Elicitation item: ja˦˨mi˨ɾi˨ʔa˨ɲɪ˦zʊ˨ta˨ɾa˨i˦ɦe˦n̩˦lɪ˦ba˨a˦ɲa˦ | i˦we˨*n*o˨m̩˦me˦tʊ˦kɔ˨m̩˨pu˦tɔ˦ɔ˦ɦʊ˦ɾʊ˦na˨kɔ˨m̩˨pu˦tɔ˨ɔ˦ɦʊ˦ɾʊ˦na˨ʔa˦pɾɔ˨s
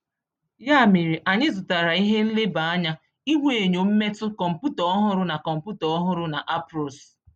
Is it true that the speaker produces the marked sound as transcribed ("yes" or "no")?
no